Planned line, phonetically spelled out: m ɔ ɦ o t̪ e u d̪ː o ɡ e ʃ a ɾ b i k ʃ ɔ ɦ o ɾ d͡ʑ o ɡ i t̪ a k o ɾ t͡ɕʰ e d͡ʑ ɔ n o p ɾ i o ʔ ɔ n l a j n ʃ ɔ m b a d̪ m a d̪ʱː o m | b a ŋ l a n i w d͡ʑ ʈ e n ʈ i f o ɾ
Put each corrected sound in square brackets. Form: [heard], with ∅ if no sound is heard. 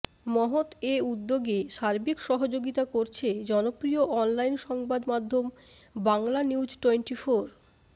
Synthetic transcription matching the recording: m ɔ ɦ o t̪ e u d̪ː o ɡ e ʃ a ɾ b i k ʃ ɔ ɦ o [∅] d͡ʑ o ɡ i t̪ a k o ɾ t͡ɕʰ e d͡ʑ ɔ n o p ɾ i o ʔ ɔ n l a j n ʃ ɔ [ŋ] b a d̪ m a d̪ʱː o m | b a ŋ l a n i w d͡ʑ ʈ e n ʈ i f o ɾ